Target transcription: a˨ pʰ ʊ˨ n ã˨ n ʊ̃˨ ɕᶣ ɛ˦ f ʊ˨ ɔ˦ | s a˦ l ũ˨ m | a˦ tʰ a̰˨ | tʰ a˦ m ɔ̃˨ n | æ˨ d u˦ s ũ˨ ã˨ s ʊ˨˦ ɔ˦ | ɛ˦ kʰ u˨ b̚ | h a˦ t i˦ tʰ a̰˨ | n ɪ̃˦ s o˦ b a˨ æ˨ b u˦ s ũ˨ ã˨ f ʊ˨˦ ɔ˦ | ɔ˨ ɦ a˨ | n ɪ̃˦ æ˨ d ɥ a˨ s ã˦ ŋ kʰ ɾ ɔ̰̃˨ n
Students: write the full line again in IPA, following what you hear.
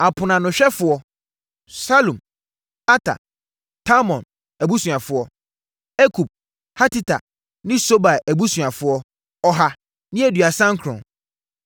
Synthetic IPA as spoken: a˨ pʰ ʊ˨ n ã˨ n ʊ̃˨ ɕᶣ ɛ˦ f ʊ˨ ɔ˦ | s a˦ l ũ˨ m | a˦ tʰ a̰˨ | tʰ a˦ m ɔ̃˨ n | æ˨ b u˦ s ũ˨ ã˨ f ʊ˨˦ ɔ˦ | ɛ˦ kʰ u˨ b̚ | h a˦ t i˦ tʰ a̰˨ | n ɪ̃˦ s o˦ b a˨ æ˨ b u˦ s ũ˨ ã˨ f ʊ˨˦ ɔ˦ | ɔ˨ ɦ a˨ | n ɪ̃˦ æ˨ d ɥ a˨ s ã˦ ŋ kʰ ɾ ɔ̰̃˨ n